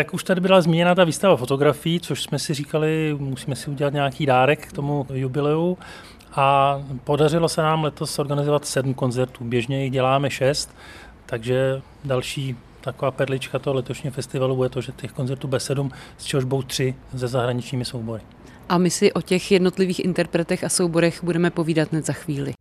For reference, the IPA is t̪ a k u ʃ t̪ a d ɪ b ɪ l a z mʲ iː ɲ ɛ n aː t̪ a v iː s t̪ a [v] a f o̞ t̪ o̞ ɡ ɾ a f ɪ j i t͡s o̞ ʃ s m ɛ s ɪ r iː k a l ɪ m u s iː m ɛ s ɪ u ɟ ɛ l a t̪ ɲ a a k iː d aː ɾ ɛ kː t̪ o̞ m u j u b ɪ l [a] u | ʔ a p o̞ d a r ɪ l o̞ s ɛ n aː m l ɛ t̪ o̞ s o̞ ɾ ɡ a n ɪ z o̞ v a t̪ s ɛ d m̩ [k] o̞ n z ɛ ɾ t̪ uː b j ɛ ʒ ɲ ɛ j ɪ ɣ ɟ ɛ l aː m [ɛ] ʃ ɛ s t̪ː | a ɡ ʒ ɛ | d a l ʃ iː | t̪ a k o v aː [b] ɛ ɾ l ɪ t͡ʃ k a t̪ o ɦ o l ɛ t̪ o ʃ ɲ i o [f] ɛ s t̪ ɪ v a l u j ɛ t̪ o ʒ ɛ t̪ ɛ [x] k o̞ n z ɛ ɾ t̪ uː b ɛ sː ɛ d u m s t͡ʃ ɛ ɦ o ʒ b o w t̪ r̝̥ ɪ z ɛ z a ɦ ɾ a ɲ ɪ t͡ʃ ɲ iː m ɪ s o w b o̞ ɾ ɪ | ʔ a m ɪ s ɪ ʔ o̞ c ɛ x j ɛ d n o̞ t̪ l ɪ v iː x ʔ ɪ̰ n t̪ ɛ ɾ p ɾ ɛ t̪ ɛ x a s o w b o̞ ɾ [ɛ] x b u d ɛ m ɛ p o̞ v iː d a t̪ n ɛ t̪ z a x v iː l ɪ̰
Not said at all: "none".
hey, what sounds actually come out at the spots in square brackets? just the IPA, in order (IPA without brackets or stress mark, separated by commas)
v, ɛ, k, ɛ, p, f, x, ɛ